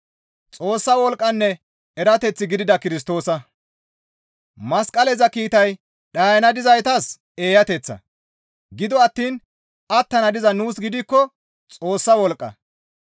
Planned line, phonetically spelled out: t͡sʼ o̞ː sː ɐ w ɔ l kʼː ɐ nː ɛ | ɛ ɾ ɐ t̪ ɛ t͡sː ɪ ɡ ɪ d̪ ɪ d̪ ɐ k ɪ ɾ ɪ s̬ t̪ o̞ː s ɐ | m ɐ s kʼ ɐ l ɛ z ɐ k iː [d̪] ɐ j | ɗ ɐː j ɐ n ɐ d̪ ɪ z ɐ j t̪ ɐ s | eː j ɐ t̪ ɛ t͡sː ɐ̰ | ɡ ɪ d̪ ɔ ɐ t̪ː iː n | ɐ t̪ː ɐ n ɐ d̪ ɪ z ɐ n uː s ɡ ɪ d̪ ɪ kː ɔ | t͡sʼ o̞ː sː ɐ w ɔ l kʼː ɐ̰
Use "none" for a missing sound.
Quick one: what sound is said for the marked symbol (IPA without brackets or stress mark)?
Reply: t̪